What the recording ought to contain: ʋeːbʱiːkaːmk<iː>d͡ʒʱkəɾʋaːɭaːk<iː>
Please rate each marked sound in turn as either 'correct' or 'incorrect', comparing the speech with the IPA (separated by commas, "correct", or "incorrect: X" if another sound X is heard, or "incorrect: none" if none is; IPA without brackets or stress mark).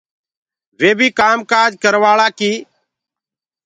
incorrect: aː, correct